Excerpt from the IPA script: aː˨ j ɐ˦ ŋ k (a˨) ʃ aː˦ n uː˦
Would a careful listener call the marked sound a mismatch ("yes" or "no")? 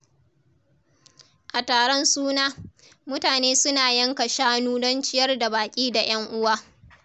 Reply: no